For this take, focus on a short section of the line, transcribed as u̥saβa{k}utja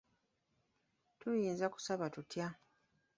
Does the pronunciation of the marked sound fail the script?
yes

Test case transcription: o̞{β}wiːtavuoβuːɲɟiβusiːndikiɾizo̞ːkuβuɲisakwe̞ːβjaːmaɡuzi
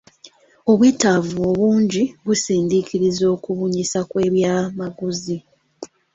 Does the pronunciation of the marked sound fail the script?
no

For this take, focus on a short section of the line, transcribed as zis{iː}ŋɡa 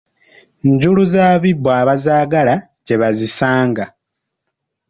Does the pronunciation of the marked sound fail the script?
yes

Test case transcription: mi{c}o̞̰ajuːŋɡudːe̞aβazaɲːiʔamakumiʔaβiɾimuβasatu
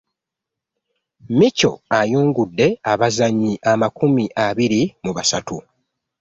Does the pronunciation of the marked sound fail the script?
no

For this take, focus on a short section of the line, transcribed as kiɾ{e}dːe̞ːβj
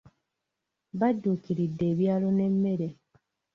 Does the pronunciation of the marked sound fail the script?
yes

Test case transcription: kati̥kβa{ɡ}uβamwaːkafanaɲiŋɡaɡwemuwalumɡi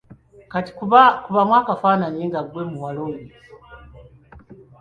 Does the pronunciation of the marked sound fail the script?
yes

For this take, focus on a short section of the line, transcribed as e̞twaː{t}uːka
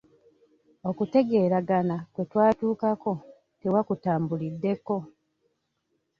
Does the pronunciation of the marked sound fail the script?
no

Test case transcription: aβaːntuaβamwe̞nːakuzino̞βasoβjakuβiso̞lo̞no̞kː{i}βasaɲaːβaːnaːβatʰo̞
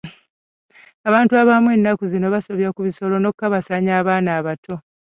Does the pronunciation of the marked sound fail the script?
yes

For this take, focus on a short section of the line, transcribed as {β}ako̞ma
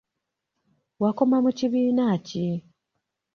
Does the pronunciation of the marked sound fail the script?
yes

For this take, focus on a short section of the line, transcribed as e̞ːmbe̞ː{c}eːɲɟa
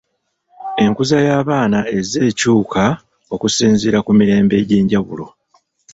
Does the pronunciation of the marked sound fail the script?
yes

